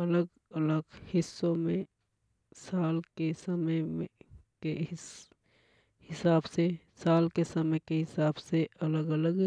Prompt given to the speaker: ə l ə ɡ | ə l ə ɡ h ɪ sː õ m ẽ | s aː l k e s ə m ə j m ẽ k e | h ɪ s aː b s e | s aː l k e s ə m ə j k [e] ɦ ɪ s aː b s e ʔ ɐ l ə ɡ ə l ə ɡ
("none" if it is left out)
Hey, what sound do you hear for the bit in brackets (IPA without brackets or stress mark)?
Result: e